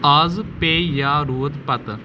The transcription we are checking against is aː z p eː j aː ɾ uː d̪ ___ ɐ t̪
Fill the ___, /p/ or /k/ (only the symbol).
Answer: p